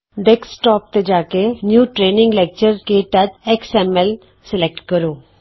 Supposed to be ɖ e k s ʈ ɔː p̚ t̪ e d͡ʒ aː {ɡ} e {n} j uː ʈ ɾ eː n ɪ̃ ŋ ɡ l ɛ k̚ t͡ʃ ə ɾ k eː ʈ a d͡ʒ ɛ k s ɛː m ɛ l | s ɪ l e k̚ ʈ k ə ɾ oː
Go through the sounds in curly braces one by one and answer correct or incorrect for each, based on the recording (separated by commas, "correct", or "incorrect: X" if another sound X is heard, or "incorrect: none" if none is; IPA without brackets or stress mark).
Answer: incorrect: k, correct